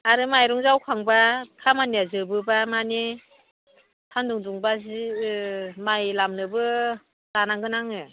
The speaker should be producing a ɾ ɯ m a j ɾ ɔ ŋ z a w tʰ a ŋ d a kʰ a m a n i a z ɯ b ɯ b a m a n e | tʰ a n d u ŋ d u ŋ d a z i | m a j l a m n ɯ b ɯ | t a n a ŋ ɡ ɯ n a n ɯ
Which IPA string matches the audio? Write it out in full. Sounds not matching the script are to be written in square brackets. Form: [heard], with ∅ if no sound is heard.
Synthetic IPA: a ɾ ɯ m a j ɾ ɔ ŋ z a w [kʰ] a ŋ [b] a kʰ a m a n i a z ɯ b ɯ b a m a n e | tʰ a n d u ŋ d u ŋ [b] a z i | m a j l a m n ɯ b ɯ | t a n a ŋ ɡ ɯ n a [ŋ] ɯ